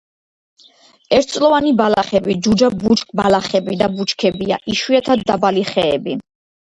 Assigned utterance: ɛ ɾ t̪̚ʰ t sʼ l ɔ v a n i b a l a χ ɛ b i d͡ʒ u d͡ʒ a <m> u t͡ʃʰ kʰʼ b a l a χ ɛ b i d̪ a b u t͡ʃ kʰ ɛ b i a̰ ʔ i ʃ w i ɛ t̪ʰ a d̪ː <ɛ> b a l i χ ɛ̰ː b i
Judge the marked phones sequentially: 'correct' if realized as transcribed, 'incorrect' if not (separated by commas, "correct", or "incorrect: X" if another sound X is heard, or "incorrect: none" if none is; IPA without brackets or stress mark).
incorrect: b, incorrect: a